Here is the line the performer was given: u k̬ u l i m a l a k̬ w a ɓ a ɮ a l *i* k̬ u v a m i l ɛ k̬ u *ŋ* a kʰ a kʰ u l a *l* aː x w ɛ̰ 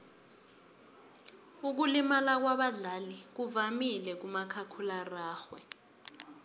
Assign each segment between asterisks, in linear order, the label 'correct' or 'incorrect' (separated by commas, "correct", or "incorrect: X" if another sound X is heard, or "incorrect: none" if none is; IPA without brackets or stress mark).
correct, incorrect: m, incorrect: r